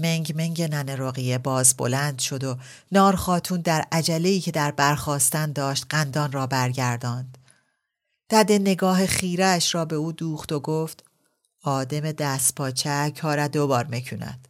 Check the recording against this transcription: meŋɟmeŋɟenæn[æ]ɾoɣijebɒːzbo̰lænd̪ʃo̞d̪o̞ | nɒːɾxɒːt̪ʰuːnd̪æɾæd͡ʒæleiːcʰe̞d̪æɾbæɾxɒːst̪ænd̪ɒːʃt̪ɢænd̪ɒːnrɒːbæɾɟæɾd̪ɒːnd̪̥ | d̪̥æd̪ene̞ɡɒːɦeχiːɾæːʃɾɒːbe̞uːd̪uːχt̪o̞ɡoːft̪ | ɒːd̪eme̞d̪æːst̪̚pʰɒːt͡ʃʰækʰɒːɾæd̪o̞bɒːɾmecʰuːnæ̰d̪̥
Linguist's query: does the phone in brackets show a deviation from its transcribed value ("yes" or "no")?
yes